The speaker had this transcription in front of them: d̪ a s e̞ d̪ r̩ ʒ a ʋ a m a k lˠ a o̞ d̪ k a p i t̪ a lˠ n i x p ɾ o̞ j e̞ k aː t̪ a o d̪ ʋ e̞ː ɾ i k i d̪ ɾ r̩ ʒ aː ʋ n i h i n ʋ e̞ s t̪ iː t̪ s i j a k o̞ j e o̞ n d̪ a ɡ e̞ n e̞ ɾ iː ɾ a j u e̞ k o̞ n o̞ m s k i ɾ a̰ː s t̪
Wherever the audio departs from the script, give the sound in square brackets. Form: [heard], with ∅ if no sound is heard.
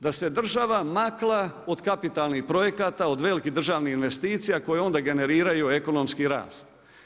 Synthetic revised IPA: d̪ a s e̞ d̪ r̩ ʒ a ʋ a m a k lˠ a o̞ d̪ k a p i t̪ a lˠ n i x p ɾ o̞ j e̞ k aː t̪ a o d̪ ʋ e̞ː [l] i k i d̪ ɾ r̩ ʒ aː ʋ n i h i n ʋ e̞ s t̪ iː t̪ s i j a k o̞ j e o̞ n d̪ a ɡ e̞ n e̞ ɾ iː ɾ a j u e̞ k o̞ n o̞ m s k i ɾ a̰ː s t̪